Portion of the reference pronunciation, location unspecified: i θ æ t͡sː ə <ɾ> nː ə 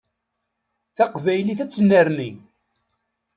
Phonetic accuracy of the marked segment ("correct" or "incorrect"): incorrect